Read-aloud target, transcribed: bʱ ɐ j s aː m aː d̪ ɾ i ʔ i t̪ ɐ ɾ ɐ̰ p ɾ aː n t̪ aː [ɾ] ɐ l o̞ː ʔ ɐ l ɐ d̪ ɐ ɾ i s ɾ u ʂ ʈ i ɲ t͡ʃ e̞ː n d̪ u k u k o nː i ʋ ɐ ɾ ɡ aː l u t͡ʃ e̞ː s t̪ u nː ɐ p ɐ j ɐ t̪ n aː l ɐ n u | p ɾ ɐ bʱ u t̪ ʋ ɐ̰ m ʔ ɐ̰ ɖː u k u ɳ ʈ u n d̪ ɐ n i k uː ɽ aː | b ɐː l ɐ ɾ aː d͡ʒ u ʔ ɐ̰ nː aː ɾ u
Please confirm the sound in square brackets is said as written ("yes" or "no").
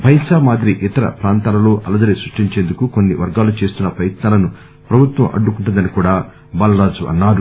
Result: no